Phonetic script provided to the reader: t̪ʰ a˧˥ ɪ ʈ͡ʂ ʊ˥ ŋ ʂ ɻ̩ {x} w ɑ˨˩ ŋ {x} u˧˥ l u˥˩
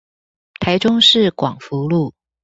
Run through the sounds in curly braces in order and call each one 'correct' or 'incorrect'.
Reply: incorrect: k, incorrect: f

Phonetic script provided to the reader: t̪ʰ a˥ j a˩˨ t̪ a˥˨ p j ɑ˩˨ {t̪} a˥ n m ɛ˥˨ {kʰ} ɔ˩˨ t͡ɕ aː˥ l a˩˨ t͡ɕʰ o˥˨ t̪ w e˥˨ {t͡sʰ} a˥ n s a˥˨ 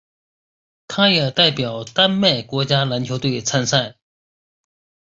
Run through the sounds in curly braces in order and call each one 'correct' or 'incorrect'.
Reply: correct, incorrect: k, correct

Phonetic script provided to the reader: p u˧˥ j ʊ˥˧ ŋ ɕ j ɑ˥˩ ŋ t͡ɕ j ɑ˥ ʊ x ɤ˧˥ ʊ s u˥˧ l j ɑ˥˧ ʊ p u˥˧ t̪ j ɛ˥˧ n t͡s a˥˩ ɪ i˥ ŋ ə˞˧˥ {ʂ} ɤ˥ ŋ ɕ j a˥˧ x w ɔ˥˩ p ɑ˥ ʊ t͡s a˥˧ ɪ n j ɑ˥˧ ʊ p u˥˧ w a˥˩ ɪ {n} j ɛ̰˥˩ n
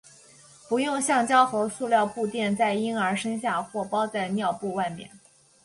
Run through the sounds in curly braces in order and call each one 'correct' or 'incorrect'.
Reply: correct, incorrect: m

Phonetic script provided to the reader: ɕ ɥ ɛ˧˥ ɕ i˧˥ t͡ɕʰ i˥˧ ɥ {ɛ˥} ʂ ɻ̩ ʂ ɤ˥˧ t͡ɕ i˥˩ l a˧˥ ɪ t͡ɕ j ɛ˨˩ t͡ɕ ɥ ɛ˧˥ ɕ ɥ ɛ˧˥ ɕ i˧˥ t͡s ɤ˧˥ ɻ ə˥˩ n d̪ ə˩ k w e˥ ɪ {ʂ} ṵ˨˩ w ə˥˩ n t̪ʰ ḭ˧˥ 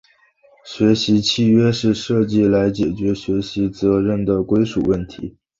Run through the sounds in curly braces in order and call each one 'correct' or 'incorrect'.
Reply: correct, correct

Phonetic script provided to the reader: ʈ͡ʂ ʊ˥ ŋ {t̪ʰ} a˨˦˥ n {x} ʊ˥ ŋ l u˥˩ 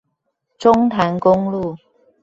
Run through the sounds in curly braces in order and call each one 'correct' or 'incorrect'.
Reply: correct, incorrect: k

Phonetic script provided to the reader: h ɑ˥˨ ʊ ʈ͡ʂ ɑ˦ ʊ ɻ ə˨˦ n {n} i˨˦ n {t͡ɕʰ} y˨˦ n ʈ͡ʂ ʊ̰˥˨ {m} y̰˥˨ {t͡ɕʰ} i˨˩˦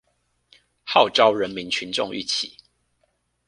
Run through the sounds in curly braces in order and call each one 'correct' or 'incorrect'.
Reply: incorrect: m, correct, incorrect: ŋ, correct

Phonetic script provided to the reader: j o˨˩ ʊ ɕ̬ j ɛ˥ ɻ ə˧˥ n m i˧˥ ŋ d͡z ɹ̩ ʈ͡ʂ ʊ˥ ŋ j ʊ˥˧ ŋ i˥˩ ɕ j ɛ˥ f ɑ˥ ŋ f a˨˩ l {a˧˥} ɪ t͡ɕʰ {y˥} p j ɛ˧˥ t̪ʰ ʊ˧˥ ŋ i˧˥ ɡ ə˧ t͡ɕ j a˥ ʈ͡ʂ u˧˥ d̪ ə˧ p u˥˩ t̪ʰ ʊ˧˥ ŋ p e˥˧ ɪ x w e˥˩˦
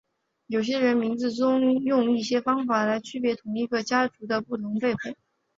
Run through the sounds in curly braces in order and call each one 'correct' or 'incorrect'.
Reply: correct, correct

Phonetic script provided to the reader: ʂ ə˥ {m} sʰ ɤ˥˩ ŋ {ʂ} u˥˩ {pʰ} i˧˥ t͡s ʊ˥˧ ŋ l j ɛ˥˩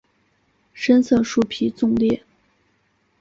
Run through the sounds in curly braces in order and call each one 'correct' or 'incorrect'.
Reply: incorrect: n, correct, correct

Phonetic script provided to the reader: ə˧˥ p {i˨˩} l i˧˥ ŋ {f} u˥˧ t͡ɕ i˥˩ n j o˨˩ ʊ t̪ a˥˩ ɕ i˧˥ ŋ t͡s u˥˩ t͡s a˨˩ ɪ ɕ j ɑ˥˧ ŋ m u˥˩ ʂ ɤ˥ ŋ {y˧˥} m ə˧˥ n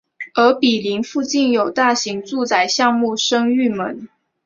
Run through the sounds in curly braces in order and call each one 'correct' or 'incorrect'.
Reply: correct, correct, incorrect: y˥˩

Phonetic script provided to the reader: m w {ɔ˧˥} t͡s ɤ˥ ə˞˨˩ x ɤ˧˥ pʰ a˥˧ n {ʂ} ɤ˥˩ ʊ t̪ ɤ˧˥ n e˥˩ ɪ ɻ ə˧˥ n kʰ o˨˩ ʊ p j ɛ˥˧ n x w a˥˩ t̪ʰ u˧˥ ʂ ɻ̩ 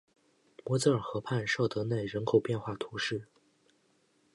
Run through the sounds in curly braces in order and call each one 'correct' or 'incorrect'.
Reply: correct, correct

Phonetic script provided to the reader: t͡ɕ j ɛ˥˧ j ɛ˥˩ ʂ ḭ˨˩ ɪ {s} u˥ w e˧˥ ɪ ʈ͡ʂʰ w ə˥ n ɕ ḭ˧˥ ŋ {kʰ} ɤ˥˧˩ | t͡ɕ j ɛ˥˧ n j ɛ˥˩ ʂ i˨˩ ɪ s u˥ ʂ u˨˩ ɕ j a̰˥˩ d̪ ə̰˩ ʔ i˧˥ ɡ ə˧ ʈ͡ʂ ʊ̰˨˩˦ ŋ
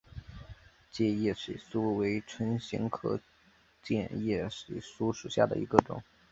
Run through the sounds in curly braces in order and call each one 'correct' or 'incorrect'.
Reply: correct, correct

